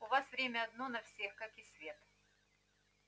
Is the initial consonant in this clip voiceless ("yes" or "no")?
no